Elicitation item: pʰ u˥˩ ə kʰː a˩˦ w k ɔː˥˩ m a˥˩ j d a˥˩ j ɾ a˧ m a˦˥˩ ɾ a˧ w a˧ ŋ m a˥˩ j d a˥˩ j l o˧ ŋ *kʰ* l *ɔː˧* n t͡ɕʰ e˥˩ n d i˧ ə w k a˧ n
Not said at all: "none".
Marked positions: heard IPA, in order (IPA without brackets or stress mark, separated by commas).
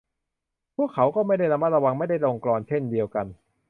k, ɔː˧